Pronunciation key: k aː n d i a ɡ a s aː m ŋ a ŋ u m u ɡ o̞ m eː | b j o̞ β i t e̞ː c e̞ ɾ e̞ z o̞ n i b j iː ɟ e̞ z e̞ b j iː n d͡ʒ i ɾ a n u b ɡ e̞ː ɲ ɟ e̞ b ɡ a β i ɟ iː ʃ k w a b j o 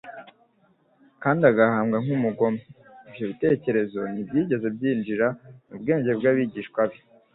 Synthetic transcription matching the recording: k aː n d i a ɡ a h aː m ɡ a ŋ u m u ɡ o̞ m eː | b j o̞ β i t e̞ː c e̞ ɾ e̞ z o̞ n i b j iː ɟ e̞ z e̞ b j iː n d͡ʒ i ɾ a n u b ɡ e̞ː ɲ ɟ e̞ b ɡ a β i ɟ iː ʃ k w a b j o